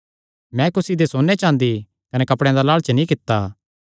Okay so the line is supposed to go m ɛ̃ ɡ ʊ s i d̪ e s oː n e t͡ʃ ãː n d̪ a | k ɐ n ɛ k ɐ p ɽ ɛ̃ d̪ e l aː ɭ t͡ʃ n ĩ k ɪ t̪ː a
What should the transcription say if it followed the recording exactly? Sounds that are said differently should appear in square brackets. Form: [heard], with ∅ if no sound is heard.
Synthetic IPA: m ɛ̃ [k] ʊ s i d̪ e s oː n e t͡ʃ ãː n d̪ [i] | k ɐ n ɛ k ɐ p ɽ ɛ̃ d̪ [a] l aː ɭ t͡ʃ n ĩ k ɪ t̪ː a